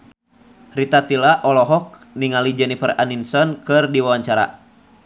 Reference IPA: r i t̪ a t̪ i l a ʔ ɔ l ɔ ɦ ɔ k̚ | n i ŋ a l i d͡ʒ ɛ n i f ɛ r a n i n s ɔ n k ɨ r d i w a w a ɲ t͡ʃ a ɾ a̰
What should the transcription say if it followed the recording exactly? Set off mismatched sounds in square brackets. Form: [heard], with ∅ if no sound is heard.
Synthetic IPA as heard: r i t̪ a t̪ i l a ʔ ɔ l ɔ ɦ ɔ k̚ | n i ŋ a l i d͡ʒ ɛ n i f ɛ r a n i n s ɔ n k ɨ r d i w a w a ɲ t͡ʃ a ɾ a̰